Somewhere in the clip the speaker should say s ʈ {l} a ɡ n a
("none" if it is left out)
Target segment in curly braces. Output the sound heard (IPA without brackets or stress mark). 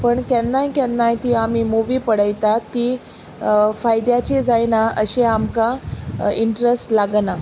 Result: l